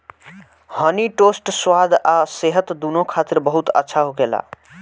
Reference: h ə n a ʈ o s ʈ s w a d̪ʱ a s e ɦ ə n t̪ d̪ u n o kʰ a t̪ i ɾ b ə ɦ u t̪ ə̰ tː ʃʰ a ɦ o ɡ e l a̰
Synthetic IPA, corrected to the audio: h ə n i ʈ o s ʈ s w a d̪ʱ a s e ɦ ə t̪ d̪ u n o kʰ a t̪ i ɾ b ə ɦ u t̪ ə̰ tː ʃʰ a ɦ o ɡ e l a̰

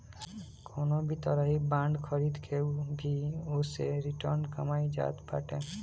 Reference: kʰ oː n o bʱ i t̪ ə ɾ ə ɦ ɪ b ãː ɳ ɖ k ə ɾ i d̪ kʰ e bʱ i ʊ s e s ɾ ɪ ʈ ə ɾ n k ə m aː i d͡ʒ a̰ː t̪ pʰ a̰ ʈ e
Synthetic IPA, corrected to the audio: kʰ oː n o bʱ i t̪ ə ɾ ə ɦ i b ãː ɳ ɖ kʰ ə ɾ i d̪ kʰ e bʱ i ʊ s e ɾ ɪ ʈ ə ɾ n k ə m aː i d͡ʒ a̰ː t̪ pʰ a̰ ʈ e

